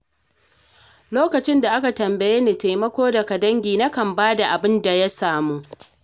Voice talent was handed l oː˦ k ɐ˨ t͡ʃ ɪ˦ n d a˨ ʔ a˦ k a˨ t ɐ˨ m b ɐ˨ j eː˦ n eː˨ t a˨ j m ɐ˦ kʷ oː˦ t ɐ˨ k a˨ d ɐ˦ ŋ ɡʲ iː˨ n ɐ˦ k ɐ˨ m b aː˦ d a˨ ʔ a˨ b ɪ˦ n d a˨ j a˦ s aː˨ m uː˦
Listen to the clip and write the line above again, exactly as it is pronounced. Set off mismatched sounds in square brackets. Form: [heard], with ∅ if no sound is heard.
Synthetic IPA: l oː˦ k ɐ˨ t͡ʃ ɪ˦ n d a˨ ʔ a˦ k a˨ t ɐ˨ m b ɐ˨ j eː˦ n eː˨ t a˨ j m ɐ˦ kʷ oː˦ [d] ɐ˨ k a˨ d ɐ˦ ŋ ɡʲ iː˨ n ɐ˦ k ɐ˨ m b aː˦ d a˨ ʔ a˨ b ɪ˦ n d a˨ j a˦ s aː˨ m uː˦